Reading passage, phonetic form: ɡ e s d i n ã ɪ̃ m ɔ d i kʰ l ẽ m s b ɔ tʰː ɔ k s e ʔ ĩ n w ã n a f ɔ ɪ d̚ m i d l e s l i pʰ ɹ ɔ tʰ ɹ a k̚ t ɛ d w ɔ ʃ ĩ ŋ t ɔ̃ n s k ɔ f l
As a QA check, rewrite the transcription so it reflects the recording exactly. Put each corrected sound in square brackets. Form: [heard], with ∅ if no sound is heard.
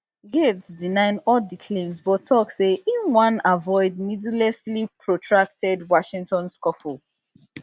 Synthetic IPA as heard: ɡ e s d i n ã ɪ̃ [n] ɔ d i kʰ l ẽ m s b ɔ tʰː ɔ k s e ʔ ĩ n w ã n a [v] ɔ ɪ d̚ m i d l [ɛ] s l i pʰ ɹ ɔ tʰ ɹ a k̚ t ɛ d w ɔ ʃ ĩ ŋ t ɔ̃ n s k ɔ f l